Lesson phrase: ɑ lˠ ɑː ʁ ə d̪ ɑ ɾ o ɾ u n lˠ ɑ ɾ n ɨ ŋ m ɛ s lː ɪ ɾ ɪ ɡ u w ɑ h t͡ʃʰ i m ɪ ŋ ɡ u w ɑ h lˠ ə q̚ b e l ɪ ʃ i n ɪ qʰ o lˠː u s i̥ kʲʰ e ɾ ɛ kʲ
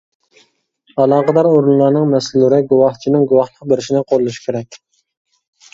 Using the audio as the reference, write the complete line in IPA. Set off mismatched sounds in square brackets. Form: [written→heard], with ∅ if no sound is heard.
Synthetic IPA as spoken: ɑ lˠ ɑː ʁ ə d̪ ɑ ɾ o ɾ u n lˠ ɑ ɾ n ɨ ŋ m ɛ s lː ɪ ɾ ɪ ɡ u w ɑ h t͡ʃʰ i [m→n] ɪ ŋ ɡ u w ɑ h lˠ ə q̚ b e [l→ɾ] ɪ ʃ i n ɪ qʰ o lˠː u [s→ʃ] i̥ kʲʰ e ɾ ɛ kʲ

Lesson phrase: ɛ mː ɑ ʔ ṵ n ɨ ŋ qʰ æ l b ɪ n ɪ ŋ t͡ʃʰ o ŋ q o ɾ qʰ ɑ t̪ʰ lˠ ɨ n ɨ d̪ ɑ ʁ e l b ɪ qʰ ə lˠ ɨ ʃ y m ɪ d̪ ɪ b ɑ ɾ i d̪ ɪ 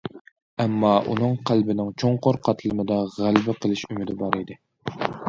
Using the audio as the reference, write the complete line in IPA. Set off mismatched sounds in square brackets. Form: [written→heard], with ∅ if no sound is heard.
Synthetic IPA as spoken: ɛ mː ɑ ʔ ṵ n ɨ ŋ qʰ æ l b ɪ n ɪ ŋ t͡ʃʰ o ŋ q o ɾ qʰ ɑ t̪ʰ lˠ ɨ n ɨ d̪ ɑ ʁ [e→æ] l b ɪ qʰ ə lˠ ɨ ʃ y m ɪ d̪ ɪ b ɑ ɾ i d̪ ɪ

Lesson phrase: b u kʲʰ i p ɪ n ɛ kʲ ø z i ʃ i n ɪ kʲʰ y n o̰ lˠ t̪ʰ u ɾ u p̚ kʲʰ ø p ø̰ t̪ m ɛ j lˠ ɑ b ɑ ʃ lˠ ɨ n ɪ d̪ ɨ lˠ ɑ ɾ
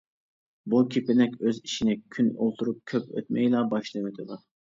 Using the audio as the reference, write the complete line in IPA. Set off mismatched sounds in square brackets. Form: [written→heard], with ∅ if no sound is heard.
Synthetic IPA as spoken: b u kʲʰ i p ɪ n ɛ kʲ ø z i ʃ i n ɪ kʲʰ y n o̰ lˠ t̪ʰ u ɾ u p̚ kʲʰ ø p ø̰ t̪ m ɛ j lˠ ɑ b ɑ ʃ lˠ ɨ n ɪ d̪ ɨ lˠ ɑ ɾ

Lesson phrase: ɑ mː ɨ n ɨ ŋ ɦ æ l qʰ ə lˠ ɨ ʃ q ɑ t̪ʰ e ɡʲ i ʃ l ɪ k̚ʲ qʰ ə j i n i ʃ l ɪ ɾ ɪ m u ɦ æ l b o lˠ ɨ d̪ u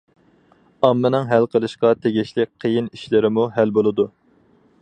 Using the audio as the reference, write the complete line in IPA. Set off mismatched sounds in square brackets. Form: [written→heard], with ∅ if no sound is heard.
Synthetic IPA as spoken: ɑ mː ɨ n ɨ ŋ ɦ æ l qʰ ə lˠ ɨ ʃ q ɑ t̪ʰ e ɡʲ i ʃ l ɪ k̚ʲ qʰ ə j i n i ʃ l ɪ ɾ ɪ m u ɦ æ l b o lˠ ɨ d̪ u

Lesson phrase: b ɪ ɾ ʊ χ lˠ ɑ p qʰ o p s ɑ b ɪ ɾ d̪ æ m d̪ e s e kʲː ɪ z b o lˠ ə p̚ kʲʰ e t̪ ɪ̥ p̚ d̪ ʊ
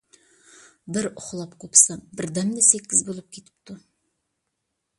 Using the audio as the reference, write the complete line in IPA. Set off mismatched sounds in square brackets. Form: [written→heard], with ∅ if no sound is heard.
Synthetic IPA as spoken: b ɪ ɾ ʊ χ lˠ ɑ p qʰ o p s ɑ b ɪ ɾ d̪ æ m d̪ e s e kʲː ɪ z b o lˠ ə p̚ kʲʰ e t̪ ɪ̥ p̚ [d̪→t̪] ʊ

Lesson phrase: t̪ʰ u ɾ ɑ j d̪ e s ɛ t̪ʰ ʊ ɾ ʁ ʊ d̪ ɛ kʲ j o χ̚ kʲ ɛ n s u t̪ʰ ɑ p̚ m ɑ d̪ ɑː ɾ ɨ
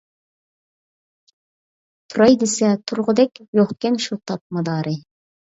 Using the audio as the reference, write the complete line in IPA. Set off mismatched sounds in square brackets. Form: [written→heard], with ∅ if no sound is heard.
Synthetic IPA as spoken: t̪ʰ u ɾ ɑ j d̪ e s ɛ t̪ʰ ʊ ɾ ʁ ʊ d̪ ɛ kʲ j o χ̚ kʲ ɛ n [s→ʃ] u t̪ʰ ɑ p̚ m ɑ d̪ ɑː ɾ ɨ

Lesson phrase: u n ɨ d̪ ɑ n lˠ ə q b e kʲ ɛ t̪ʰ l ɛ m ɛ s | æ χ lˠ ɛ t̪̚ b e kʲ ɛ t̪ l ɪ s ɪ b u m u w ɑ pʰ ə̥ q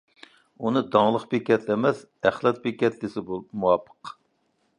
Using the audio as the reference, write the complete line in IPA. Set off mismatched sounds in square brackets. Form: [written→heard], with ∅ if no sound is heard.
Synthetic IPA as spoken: u n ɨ d̪ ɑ [n→ŋ] lˠ ə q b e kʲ ɛ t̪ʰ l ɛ m ɛ s | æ χ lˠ ɛ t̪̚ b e kʲ ɛ t̪ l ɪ s ɪ b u m u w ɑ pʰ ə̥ q

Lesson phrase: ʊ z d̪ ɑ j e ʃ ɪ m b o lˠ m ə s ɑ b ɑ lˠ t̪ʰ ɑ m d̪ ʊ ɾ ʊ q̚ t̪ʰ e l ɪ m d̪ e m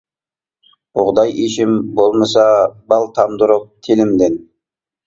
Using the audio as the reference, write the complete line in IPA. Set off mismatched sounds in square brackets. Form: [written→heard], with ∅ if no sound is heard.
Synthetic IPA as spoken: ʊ [z→ʁ] d̪ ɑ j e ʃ ɪ m b o lˠ m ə s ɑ b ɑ lˠ t̪ʰ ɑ m d̪ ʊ ɾ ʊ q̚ t̪ʰ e l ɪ m d̪ e [m→n]

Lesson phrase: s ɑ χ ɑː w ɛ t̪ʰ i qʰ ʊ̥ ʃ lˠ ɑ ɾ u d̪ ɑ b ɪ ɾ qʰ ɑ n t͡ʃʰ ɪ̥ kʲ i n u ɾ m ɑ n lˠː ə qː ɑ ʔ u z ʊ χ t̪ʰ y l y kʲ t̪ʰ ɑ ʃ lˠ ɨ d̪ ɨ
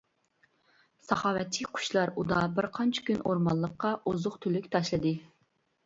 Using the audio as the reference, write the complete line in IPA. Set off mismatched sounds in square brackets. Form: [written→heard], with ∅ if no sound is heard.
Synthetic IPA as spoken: s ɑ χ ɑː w ɛ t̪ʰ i qʰ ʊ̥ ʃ lˠ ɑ ɾ u d̪ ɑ b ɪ ɾ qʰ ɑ n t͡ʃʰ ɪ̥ kʲ [i→y] n [u→o] ɾ m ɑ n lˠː ə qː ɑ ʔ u z ʊ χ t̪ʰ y l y kʲ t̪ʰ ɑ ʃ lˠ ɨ d̪ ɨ

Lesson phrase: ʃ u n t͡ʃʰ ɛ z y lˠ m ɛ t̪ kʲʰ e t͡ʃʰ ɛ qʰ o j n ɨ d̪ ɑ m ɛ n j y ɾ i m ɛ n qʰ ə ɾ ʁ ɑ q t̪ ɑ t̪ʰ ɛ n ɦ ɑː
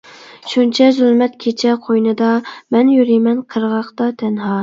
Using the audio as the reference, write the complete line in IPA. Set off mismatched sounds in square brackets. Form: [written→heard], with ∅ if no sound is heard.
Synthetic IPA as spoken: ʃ u n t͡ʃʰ ɛ z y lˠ m ɛ t̪ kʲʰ e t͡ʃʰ ɛ qʰ o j n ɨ d̪ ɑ m ɛ n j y ɾ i m ɛ n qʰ ə ɾ ʁ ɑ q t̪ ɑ t̪ʰ ɛ n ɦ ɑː

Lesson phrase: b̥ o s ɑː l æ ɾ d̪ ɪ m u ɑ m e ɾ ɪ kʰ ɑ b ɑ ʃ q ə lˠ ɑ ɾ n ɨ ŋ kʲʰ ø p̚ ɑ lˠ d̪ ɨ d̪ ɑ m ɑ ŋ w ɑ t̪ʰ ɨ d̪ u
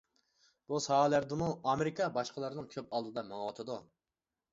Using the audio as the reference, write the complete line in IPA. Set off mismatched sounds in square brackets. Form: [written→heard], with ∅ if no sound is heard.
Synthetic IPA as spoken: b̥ [o→u] s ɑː l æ ɾ d̪ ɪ m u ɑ m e ɾ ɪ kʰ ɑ b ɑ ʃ q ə lˠ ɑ ɾ n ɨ ŋ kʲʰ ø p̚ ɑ lˠ d̪ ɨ d̪ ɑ m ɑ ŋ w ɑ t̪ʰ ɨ d̪ u

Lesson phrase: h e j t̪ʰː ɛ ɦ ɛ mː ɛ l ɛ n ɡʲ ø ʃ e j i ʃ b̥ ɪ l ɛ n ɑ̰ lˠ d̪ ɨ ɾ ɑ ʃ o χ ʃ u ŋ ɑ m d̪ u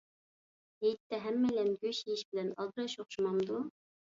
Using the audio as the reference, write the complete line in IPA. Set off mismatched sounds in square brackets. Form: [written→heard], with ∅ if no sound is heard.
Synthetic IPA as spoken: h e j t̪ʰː ɛ ɦ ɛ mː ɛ l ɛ n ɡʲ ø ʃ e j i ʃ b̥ ɪ l ɛ n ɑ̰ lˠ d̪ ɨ ɾ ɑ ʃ o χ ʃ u [ŋ→m] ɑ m d̪ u

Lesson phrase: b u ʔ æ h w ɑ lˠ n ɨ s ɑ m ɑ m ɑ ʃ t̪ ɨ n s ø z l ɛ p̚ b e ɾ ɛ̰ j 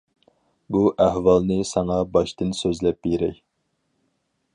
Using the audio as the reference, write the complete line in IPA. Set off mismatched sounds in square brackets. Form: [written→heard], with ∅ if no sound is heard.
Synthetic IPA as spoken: b u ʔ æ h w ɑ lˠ n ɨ s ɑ [m→ŋ] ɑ [m→b] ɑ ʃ t̪ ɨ n s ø z l ɛ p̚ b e ɾ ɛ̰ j

